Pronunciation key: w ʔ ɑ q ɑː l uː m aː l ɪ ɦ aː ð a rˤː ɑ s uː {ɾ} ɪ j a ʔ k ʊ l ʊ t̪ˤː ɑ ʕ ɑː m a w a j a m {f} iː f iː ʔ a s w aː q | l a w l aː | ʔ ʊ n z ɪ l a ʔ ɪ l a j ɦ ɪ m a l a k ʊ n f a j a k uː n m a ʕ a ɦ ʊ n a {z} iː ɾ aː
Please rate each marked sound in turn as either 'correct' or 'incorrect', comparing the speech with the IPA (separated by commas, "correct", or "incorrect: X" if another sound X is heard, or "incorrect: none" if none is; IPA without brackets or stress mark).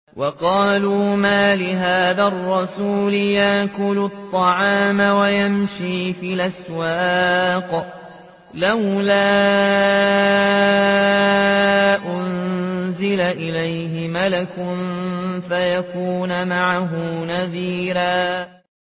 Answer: incorrect: l, incorrect: ʃ, incorrect: ð